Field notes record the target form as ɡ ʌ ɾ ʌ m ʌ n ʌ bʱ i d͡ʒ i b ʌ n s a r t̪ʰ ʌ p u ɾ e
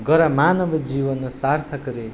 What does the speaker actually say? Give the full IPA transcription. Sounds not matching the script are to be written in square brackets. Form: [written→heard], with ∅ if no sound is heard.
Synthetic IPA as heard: ɡ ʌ ɾ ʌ m [ʌ→a] n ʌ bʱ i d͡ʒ i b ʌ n s a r t̪ʰ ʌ [p→k] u ɾ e